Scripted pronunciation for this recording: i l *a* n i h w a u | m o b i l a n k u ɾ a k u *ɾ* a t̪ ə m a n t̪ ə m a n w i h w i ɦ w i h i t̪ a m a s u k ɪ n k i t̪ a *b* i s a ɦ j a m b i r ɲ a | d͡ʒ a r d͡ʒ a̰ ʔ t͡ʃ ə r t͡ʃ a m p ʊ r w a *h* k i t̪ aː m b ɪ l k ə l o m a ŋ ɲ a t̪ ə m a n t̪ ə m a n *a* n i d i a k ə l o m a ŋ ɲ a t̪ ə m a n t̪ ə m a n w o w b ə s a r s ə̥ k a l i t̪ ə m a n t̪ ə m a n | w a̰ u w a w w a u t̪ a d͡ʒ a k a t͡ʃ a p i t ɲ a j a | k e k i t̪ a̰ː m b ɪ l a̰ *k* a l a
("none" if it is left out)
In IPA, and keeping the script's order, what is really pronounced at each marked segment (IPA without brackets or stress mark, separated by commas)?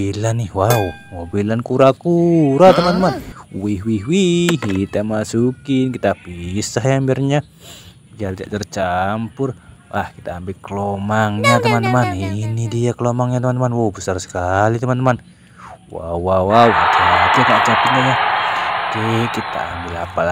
a, ɾ, p, h, i, p